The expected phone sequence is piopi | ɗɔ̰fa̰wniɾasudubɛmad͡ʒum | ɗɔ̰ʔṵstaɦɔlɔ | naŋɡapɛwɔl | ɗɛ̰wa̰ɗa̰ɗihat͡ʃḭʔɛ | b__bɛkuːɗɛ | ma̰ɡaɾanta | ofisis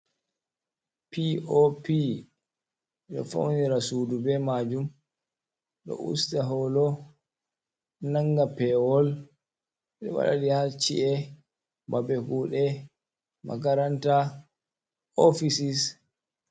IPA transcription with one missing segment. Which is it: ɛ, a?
a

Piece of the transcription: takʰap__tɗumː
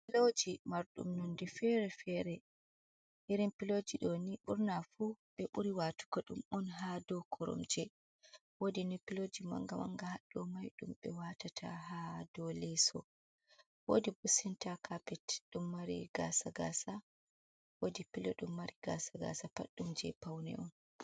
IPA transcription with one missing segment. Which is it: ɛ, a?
ɛ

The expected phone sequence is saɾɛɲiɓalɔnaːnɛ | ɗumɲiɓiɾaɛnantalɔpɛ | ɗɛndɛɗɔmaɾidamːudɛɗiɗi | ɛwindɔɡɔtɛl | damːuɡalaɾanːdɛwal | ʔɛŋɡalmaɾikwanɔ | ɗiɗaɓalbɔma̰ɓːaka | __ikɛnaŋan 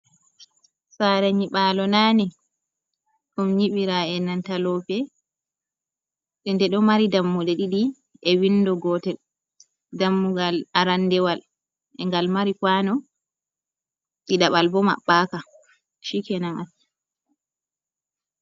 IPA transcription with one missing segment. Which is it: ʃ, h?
ʃ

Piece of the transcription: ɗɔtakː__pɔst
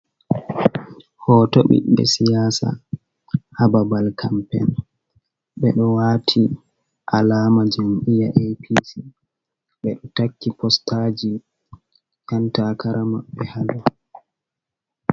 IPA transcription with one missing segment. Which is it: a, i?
i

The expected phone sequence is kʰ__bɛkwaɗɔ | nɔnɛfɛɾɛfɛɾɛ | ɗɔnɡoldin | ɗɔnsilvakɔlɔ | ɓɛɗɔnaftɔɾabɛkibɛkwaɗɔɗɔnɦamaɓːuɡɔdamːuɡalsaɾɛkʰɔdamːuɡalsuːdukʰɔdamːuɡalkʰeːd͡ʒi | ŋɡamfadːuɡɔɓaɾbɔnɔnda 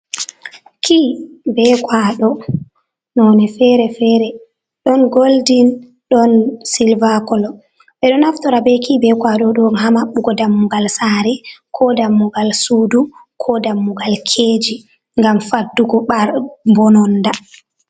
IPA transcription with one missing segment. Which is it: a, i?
i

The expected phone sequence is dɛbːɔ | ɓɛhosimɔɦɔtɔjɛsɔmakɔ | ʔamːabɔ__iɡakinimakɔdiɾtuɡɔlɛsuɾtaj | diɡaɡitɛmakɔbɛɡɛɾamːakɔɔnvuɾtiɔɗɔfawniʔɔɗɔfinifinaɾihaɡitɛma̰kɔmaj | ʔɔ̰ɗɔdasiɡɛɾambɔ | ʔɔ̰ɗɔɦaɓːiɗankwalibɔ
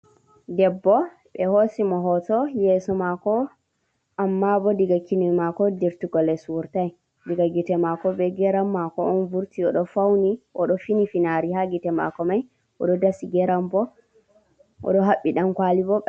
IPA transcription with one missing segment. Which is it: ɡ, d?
d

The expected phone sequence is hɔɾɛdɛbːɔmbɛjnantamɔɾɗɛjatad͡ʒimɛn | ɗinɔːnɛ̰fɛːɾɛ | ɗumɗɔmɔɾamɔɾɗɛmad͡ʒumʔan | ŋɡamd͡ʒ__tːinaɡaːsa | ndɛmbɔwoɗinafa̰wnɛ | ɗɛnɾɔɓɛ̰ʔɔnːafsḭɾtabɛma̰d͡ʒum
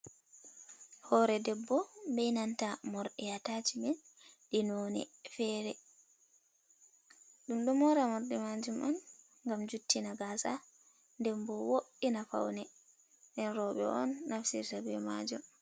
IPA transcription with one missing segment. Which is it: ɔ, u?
u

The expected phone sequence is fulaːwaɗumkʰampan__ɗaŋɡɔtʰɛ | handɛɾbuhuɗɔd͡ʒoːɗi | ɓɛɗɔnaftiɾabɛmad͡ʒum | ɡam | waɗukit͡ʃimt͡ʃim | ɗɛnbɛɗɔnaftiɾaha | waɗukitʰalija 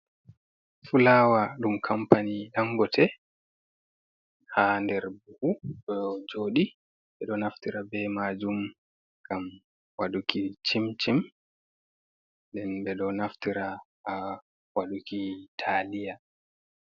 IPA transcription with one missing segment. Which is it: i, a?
i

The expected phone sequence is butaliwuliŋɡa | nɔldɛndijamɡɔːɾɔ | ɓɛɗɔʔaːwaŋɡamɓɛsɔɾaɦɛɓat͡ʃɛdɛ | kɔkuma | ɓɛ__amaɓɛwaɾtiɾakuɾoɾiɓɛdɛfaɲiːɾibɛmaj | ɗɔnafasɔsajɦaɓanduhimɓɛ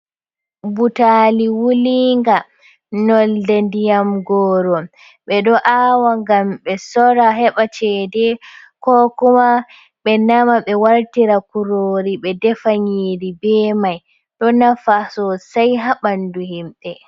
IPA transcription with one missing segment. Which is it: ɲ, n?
n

